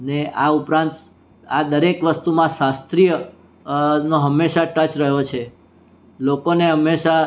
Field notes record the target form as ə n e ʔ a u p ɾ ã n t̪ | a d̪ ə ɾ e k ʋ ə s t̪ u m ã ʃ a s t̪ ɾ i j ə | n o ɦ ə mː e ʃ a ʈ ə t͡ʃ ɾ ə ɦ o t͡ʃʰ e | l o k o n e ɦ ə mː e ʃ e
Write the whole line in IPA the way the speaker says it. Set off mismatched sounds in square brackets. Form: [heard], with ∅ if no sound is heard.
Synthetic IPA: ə n e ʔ a u p ɾ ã n t̪ | a d̪ ə ɾ e k ʋ ə s t̪ u m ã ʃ a s t̪ ɾ i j ə | n o ɦ ə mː e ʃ a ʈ ə t͡ʃ ɾ ə ɦ o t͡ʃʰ e | l o k o n e ɦ ə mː e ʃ [a]